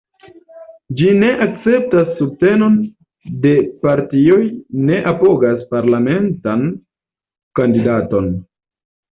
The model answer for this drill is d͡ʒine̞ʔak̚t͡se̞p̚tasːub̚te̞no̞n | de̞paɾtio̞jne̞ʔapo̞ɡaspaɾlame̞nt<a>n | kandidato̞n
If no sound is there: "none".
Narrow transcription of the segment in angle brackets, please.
a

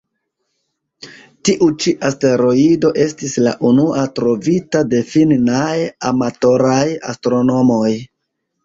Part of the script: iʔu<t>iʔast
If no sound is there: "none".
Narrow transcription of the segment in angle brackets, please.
t͡ʃ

